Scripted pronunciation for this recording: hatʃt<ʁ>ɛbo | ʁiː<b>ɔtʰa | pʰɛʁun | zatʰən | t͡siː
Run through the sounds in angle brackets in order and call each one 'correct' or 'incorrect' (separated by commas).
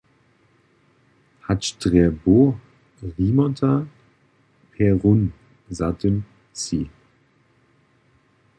correct, incorrect